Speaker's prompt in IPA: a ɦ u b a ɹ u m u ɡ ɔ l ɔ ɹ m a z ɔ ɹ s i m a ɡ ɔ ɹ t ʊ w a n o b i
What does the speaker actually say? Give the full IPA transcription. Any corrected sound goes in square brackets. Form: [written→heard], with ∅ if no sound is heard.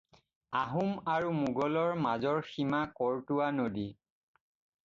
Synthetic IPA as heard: a ɦ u [b→m] a ɹ u m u ɡ ɔ l ɔ ɹ m a z ɔ ɹ [s→x] i m a [ɡ→k] ɔ ɹ t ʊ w a n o [b→d] i

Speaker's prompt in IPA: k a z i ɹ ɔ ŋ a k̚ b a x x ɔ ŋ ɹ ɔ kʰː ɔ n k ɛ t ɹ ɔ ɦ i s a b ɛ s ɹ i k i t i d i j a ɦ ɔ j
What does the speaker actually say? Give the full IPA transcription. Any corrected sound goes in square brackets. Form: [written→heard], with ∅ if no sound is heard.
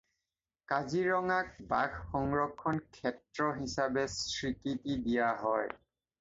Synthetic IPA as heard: k a z i ɹ ɔ ŋ a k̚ b a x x ɔ ŋ ɹ ɔ kʰː ɔ n [k→kʰ] ɛ t ɹ ɔ ɦ i s a b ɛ s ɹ i k i t i d i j a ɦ ɔ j

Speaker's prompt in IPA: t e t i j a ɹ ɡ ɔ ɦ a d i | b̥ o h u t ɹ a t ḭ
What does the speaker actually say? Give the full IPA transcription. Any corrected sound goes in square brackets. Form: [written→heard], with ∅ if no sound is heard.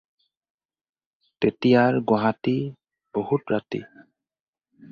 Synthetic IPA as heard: t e t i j a ɹ ɡ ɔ ɦ a [d→t] i | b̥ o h u t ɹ a t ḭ

